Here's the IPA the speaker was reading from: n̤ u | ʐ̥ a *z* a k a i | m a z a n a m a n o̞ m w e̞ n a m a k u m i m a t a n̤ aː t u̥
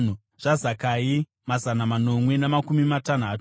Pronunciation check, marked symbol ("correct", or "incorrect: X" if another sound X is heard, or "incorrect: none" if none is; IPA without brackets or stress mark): correct